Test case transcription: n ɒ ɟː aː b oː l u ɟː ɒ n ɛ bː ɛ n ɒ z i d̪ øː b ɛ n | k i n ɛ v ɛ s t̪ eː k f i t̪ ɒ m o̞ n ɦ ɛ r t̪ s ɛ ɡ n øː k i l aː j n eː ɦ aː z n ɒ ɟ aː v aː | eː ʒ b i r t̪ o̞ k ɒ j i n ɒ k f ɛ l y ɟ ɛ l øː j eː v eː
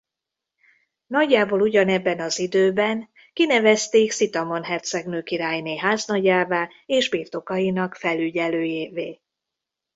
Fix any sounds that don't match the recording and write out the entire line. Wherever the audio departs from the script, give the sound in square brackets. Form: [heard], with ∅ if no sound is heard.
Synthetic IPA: n ɒ ɟː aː b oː l u [ɟ] ɒ n ɛ bː ɛ n ɒ z i d̪ øː b ɛ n | k i n ɛ v ɛ s t̪ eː k [s] i t̪ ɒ m o̞ n ɦ ɛ r t̪ s ɛ ɡ n øː k i [ɾ] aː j n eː ɦ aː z n ɒ ɟ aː v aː | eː ʒ b i r t̪ o̞ k ɒ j i n ɒ k f ɛ l y ɟ ɛ l øː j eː v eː